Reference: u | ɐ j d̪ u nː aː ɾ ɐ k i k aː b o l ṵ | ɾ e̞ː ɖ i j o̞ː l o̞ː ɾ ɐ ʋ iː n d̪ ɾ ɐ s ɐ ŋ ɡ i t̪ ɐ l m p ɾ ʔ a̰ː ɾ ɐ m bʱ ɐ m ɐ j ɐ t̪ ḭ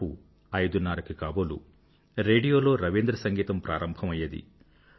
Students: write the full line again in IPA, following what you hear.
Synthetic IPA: u | ɐ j d̪ u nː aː ɾ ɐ k i k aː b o l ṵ | ɾ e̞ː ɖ i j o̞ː l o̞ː ɾ ɐ ʋ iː n d̪ ɾ ɐ s ɐ ŋ ɡ iː t̪ ɐ m p ɾ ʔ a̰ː ɾ ɐ m bʱ ɐ m ɐ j ɐ d̪ ḭ